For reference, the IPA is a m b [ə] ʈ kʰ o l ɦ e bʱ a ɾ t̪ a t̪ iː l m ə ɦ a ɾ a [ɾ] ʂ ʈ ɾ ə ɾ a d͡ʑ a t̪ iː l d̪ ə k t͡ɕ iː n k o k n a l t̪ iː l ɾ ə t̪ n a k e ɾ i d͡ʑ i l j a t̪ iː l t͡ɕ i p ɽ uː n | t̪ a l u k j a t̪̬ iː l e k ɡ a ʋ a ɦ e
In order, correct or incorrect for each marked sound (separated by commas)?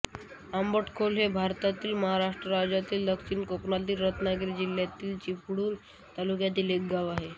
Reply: correct, incorrect